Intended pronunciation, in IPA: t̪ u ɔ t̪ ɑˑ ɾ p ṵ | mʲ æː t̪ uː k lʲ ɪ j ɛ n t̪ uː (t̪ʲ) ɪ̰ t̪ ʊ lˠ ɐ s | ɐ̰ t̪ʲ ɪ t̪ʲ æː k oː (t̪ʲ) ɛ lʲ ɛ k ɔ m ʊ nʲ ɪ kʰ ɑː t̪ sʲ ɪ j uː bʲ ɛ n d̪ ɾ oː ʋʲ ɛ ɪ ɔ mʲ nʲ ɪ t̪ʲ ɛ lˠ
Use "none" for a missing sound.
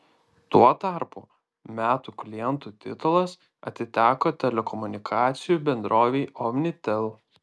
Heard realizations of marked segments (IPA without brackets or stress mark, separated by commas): t̪ʲ, t̪ʲ